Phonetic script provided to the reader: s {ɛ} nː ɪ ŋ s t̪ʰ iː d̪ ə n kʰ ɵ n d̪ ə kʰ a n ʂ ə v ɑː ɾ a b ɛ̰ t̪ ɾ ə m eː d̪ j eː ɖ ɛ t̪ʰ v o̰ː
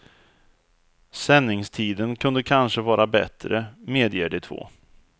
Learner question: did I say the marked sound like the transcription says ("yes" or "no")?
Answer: yes